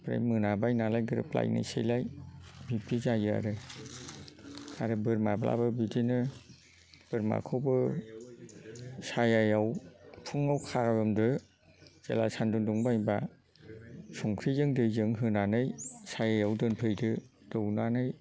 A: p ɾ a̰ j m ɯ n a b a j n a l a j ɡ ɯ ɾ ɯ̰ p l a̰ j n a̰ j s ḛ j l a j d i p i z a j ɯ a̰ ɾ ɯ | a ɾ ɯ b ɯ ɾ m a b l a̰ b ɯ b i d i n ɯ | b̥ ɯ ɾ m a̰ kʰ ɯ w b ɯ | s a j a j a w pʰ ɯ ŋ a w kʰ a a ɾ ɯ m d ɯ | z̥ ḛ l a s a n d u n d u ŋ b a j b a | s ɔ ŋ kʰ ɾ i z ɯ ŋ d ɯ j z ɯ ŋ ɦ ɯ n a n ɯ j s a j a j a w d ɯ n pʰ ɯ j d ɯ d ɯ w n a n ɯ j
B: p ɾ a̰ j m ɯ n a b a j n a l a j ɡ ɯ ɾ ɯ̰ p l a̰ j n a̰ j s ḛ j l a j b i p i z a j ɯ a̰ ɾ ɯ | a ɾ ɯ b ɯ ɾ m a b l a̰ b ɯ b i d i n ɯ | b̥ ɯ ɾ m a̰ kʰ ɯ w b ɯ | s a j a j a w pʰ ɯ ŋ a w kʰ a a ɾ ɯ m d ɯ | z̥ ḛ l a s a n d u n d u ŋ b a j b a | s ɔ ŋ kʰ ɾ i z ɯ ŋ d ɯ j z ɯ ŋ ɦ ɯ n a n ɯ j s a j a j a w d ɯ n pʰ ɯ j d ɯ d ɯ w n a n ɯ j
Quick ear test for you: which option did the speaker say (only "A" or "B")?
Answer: B